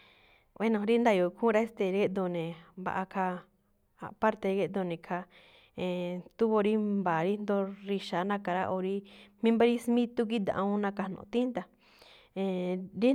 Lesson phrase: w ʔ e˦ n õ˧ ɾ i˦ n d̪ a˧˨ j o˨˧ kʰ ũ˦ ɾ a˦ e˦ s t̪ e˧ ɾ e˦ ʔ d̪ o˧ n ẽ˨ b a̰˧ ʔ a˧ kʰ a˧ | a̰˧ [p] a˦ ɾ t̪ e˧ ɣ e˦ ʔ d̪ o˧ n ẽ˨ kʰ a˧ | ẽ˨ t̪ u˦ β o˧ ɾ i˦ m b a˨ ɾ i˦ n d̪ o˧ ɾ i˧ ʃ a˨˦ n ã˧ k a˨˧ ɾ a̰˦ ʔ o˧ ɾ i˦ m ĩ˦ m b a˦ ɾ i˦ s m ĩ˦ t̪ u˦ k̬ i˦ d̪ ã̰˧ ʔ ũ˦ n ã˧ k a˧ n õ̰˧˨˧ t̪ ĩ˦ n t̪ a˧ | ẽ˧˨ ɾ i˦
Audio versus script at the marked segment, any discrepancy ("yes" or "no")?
no